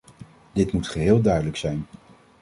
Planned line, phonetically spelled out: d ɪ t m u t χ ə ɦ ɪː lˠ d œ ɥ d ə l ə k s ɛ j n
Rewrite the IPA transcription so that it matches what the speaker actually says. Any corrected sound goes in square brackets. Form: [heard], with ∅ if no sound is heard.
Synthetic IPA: d ɪ t m u t χ ə ɦ ɪː lˠ d œ ɥ d ə l ə k s ɛ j n

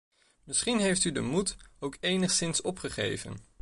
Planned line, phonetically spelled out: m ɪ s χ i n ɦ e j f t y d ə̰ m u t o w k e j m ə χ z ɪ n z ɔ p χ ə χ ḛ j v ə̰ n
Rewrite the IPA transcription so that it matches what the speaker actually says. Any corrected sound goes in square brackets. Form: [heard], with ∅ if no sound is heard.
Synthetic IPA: m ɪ s χ i n ɦ e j f t y d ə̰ m u t o w k e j [n] ə χ [s] ɪ n [s] ɔ p χ ə χ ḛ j v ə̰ n

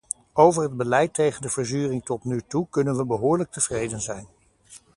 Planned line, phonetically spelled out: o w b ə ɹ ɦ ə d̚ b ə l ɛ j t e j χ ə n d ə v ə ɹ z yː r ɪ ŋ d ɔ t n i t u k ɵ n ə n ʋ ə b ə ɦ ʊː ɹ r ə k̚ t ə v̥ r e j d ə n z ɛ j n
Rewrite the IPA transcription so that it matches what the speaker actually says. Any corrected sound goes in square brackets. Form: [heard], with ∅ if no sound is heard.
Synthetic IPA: o w [v] ə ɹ ɦ ə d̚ b ə l ɛ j t e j χ ə n d ə v ə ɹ z yː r ɪ ŋ [t] ɔ t n [y] t u k ɵ n ə n ʋ ə b ə ɦ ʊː ɹ [l] ə k̚ t ə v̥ r e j d ə n z ɛ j n

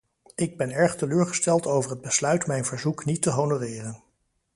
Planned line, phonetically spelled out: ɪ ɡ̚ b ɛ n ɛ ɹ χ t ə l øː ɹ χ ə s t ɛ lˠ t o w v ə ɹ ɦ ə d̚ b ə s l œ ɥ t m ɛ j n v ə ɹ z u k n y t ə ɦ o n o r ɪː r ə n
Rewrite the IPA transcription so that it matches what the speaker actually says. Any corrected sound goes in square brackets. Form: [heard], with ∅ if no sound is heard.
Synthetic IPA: ɪ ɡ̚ b ɛ n ɛ ɹ χ t ə l øː ɹ χ ə s t ɛ lˠ t o w v ə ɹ ɦ ə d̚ b ə s l œ ɥ t m ɛ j n v ə ɹ z u k n [i] t ə ɦ o n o r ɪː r ə n

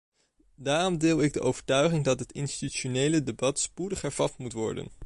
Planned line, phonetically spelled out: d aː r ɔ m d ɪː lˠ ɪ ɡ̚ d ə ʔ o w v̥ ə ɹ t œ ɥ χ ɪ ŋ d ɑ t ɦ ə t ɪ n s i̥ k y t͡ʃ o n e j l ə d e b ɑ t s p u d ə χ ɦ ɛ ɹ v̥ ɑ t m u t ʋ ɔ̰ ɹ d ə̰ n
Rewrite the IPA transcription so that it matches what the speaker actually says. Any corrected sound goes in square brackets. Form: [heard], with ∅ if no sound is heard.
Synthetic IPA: d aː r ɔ m d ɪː lˠ ɪ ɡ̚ d ə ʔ o w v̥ ə ɹ t œ ɥ χ ɪ ŋ d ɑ t ɦ ə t ɪ n s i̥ [t] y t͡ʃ o n e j l ə d e b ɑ t s p u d ə χ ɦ ɛ ɹ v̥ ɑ t m u t ʋ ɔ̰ ɹ d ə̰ n

